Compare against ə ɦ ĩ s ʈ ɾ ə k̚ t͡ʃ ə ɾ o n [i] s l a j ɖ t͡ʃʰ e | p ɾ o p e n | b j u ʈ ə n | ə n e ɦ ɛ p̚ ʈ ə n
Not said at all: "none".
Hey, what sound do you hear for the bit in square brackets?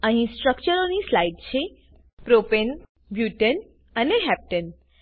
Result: i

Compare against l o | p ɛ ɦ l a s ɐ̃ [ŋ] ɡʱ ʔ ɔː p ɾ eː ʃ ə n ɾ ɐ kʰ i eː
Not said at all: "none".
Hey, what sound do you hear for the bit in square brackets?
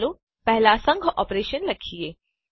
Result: ŋ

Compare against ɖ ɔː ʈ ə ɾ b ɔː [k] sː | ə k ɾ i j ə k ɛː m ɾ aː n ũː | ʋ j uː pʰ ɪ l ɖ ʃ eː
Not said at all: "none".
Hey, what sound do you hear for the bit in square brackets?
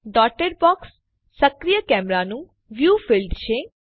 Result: k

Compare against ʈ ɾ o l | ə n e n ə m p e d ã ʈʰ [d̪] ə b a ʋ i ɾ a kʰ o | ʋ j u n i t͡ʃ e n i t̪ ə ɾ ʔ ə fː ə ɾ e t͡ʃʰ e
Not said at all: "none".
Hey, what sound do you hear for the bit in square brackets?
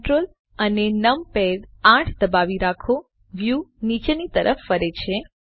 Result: d̪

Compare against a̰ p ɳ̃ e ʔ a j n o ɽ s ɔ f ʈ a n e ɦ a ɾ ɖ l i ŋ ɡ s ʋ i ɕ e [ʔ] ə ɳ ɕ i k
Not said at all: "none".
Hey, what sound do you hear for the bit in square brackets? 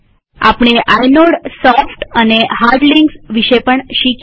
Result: p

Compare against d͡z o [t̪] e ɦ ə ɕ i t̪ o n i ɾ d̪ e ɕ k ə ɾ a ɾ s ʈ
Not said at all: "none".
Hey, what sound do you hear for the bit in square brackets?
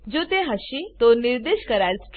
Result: t̪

